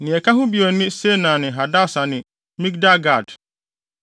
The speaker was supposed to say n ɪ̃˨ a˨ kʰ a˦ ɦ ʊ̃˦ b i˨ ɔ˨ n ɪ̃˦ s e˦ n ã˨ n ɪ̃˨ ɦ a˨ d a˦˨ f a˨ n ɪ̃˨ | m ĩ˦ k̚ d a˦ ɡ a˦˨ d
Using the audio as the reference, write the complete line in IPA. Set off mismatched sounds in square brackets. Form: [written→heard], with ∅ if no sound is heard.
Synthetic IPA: n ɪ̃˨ [a˨→ɛ˨] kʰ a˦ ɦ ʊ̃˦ b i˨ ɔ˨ n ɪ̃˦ s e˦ n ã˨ n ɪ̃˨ ɦ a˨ d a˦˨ [f→s] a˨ n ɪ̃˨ | m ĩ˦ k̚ d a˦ ɡ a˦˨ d